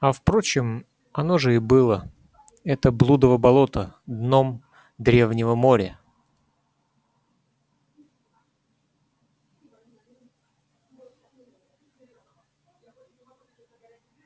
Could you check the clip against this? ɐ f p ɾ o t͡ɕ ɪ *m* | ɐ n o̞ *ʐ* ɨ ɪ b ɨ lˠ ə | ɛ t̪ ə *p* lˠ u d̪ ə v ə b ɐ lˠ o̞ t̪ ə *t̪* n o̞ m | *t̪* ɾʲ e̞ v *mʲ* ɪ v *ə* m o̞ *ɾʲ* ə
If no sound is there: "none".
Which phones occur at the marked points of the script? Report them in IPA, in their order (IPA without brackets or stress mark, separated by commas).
m, ʐ, b, d̪, d̪, nʲ, ə, ɾʲ